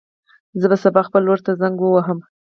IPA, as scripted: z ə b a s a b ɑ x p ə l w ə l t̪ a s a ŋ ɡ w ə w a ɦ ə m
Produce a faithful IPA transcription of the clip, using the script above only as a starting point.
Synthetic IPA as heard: z ə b a s a b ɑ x p ə l w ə ɾ t̪ a z a ŋ ɡ w ə w a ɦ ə m

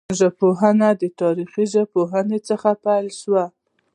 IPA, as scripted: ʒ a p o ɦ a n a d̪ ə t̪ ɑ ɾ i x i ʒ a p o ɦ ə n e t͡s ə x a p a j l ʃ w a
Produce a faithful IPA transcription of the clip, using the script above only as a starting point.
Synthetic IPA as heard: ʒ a p o ɦ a n a d̪ ə t̪ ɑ ɾ i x i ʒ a p o ɦ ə n e t͡s ə x a p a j l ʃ w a

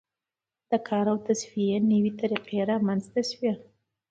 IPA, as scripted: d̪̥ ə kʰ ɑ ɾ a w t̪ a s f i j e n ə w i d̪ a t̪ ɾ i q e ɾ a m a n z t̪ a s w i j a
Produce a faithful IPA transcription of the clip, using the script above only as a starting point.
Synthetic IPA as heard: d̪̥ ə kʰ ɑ ɾ a w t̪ a s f i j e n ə w i t̪ a ɾ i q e ɾ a m a n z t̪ a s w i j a

